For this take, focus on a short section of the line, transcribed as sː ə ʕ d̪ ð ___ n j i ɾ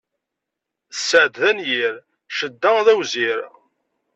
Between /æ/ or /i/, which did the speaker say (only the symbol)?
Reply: æ